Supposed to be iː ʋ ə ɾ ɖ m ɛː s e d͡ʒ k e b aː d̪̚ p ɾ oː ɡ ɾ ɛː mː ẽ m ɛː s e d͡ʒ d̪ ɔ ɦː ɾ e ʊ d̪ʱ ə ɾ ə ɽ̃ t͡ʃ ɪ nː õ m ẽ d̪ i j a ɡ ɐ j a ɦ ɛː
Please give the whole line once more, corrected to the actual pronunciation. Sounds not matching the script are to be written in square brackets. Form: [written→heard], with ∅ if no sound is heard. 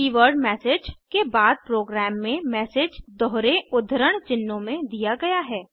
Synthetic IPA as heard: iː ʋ ə ɾ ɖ m ɛː s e d͡ʒ k e b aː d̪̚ p ɾ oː ɡ ɾ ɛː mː ẽ m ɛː s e d͡ʒ d̪ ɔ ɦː ɾ e ʊ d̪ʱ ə ɾ ə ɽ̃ t͡ʃ ɪ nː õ m ẽ d̪ i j a ɡ ɐ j a ɦ ɛː